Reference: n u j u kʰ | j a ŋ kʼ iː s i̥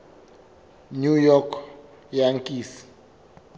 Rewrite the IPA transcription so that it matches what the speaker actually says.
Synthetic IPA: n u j ɔ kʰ | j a ŋ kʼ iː s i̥